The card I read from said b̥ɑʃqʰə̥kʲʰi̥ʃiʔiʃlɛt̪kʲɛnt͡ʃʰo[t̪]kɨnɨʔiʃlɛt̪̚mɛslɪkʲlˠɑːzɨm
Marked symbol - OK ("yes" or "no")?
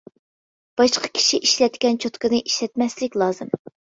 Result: yes